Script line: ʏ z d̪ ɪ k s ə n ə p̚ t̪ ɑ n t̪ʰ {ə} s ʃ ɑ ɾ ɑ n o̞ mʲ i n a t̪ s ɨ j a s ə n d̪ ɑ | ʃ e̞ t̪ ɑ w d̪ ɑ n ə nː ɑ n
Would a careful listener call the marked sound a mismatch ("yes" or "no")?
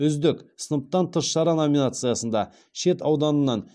no